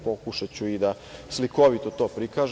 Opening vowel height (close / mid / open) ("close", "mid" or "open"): mid